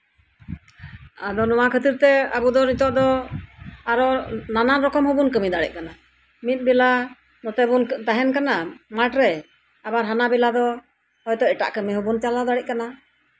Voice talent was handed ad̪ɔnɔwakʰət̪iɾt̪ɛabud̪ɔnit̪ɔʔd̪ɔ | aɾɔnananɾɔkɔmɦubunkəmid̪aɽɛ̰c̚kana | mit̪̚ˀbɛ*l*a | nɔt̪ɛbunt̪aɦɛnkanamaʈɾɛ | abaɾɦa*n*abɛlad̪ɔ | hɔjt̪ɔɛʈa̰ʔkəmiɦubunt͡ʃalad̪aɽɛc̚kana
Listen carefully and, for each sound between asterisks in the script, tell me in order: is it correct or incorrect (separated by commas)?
correct, correct